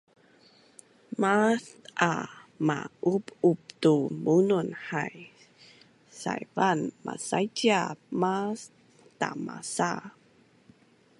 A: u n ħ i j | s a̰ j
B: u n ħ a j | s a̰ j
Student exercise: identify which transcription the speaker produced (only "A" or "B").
B